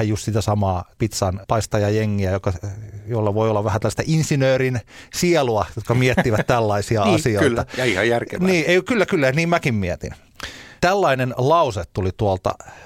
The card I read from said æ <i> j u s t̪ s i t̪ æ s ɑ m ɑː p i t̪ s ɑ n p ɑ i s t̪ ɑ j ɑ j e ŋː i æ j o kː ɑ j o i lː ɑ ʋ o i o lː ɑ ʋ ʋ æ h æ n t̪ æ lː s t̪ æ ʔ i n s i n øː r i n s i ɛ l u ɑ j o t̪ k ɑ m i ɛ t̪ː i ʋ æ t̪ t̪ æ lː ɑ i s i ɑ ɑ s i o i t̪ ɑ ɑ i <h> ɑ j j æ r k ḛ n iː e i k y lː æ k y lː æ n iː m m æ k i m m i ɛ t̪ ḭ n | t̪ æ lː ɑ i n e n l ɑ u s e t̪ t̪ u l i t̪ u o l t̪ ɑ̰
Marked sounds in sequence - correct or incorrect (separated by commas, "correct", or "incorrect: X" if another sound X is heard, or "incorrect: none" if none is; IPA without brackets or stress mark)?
incorrect: j, correct